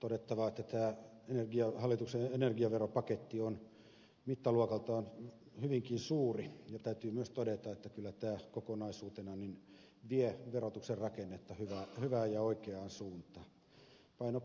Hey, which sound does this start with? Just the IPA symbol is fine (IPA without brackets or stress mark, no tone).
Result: t̪